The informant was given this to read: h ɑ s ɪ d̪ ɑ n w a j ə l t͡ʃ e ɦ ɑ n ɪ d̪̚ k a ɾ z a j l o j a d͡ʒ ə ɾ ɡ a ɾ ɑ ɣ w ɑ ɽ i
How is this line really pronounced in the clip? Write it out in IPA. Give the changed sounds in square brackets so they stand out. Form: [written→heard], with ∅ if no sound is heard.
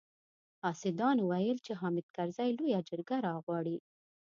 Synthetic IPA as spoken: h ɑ s ɪ d̪ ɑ n w a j ə l t͡ʃ e ɦ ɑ [n→m] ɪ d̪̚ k a ɾ z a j l o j a d͡ʒ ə ɾ ɡ a ɾ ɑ ɣ w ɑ ɽ i

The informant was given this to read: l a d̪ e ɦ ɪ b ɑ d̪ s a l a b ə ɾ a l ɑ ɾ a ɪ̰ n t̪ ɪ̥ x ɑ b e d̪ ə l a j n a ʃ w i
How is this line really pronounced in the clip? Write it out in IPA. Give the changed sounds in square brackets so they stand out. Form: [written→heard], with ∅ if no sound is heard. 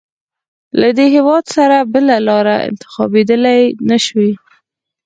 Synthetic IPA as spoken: l a d̪ e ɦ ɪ [b→w] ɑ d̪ s a [l→ɾ] a b ə [ɾ→l] a l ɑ ɾ a ɪ̰ n t̪ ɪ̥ x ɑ b e d̪ ə l a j n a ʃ w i

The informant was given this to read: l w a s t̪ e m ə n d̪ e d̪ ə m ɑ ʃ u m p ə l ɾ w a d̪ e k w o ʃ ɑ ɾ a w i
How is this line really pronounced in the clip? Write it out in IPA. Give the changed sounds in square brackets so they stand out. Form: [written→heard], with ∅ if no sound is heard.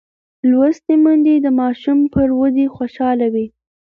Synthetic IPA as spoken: l w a s t̪ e m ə n d̪ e d̪ ə m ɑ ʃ u m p ə [l→∅] ɾ w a d̪ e [k→x] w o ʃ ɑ [ɾ→l] a w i

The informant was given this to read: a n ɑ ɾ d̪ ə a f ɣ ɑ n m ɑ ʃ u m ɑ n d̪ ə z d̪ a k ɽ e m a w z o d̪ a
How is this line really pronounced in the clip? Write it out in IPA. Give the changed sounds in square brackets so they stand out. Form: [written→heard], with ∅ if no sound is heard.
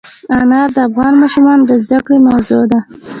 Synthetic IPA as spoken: a n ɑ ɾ d̪ ə a f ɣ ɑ n m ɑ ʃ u m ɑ n d̪ ə z d̪ a k ɽ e m a w z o d̪ a

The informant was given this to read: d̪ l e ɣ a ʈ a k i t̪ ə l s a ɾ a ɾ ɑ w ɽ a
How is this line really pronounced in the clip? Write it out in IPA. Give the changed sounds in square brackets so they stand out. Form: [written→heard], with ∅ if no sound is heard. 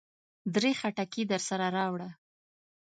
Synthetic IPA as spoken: d̪ [l→ɾ] e [ɣ→x] a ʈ a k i [t̪→d̪] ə [l→ɾ] s a ɾ a ɾ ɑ w ɽ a

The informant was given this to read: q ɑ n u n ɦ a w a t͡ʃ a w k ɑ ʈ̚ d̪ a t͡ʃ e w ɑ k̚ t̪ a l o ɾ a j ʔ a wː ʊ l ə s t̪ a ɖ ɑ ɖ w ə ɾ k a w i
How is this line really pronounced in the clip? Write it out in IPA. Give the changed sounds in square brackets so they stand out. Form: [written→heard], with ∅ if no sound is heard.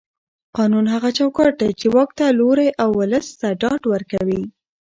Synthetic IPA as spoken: q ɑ n u n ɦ a [w→ɣ] a t͡ʃ a w k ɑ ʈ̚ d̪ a t͡ʃ e w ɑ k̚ t̪ a l o ɾ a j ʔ a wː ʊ l ə s t̪ a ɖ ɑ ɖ w ə ɾ k a w i

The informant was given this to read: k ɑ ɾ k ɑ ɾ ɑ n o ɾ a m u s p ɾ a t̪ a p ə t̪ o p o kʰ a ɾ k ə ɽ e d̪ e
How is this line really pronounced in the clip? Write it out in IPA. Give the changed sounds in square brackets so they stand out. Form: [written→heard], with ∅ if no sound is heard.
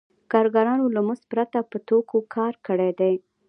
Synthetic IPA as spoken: k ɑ ɾ [k→ɡ] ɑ ɾ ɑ n o [ɾ→l] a m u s p ɾ a t̪ a p ə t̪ o [p→k] o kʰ [a→ɑ] ɾ k ə ɽ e d̪ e

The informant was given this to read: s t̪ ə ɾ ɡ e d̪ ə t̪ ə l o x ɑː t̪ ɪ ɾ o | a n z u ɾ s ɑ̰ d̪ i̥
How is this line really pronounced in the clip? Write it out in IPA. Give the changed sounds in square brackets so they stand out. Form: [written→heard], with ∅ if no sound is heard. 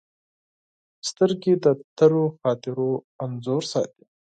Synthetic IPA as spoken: s t̪ ə ɾ ɡ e d̪ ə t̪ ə [l→ɾ] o x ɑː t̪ ɪ ɾ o | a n z [u→o] ɾ s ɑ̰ [d̪→t̪] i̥

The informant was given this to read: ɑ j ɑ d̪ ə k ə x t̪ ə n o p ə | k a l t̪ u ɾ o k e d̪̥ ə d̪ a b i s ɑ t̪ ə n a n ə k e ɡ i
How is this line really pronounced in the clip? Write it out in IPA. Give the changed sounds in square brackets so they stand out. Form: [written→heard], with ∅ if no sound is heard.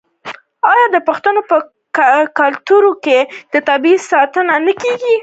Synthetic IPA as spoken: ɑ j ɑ d̪ ə [k→p] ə x t̪ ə n o p ə | k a l t̪ u ɾ o k e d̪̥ ə [d̪→t̪] a b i s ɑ t̪ ə n a n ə k e ɡ i

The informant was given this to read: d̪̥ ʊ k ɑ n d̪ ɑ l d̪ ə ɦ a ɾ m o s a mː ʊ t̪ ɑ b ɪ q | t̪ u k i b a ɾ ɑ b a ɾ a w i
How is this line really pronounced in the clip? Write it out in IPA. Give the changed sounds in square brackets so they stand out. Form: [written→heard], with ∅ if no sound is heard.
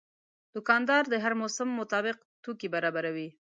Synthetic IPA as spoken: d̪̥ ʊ k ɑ n d̪ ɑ [l→ɾ] d̪ ə ɦ a ɾ m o s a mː ʊ t̪ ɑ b ɪ q | t̪ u k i b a ɾ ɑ b a ɾ a w i

